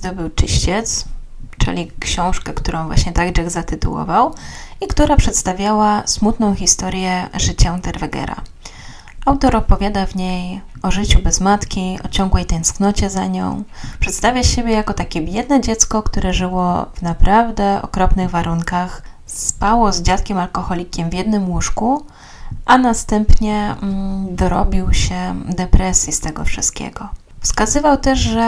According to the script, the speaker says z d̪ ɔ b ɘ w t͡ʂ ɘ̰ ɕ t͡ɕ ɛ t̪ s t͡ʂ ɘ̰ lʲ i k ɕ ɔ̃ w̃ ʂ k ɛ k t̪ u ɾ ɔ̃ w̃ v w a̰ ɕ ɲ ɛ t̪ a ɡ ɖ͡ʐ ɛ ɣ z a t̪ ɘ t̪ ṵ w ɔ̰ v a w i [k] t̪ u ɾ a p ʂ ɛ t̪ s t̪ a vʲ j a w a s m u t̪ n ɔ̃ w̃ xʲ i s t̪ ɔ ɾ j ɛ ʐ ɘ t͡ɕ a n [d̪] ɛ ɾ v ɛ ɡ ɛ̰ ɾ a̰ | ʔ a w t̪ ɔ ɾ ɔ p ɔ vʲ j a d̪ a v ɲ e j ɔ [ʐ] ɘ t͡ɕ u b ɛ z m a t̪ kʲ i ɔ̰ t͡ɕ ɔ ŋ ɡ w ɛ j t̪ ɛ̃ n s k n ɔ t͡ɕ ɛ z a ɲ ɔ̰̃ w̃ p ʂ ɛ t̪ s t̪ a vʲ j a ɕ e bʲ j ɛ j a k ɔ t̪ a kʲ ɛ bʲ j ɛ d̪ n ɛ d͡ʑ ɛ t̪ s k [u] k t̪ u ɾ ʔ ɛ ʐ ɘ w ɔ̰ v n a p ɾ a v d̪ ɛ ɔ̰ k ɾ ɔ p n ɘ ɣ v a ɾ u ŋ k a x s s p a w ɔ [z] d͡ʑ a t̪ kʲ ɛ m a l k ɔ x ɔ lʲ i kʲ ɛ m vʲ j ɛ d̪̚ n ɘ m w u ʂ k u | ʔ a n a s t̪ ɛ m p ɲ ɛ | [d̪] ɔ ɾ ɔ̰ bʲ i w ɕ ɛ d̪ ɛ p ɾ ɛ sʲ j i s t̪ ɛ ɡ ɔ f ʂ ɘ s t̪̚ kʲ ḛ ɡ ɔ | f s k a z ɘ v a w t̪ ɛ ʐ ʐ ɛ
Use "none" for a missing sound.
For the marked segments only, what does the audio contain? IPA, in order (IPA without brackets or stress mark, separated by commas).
k, t̪, ʐ, ɔ, z, d̪